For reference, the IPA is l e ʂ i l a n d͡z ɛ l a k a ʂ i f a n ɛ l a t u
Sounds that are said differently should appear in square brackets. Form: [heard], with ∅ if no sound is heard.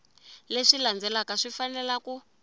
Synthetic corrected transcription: l e ʂ i l a n d͡z ɛ l a k a ʂ i f a n ɛ l a [k] u